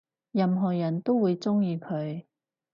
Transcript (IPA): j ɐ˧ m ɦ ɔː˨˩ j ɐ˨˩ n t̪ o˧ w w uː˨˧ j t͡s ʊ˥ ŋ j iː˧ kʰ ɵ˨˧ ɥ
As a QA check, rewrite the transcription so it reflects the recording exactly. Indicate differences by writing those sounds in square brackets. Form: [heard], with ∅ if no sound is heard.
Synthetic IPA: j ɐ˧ m ɦ ɔː˨˩ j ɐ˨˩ n t̪ [o˥] w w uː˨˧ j t͡s ʊ˥ ŋ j iː˧ kʰ ɵ˨˧ ɥ